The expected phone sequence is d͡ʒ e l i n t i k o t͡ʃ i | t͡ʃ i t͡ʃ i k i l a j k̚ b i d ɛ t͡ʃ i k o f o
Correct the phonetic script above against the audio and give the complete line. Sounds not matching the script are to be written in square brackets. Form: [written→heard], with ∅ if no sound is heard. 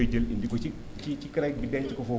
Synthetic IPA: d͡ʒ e l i n [t→d] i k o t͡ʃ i | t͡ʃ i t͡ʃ i k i [l→ɾ] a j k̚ b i d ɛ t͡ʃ i k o f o